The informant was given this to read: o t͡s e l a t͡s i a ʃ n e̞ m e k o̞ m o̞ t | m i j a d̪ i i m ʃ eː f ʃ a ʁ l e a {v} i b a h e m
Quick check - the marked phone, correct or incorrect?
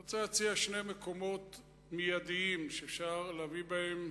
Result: correct